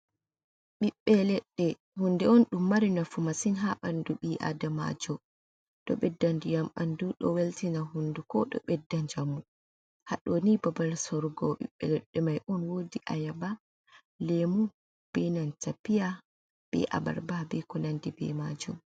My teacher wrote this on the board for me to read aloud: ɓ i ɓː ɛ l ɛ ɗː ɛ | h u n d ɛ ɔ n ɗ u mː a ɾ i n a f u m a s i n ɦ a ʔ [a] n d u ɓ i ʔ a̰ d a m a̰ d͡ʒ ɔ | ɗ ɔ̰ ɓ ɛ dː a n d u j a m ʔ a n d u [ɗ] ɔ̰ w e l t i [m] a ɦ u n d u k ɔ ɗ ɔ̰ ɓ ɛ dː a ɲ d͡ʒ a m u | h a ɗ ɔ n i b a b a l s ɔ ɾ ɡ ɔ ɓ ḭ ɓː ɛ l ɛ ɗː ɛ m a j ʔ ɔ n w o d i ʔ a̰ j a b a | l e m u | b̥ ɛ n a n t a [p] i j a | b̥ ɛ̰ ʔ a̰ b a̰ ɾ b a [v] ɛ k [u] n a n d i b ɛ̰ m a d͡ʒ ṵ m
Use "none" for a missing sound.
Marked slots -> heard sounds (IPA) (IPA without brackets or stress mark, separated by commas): a, ɗ, n, p, b, ɔ